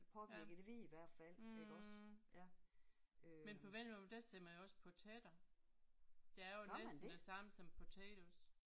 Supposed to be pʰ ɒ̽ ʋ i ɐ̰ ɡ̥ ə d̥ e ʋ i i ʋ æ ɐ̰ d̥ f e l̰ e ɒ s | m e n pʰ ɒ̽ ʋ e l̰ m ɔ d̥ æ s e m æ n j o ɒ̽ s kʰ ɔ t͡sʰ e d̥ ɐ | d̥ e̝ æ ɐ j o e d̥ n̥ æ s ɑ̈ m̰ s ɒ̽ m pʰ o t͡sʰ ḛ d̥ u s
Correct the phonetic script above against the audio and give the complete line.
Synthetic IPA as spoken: pʰ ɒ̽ ʋ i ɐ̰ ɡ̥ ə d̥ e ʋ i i ʋ æ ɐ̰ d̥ f æ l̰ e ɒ s | m e n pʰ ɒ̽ ʋ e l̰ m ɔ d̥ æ s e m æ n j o ɒ̽ s pʰ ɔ t͡sʰ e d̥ ɐ | d̥ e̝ æ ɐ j o e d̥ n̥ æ s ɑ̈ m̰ s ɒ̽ m pʰ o t͡sʰ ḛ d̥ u s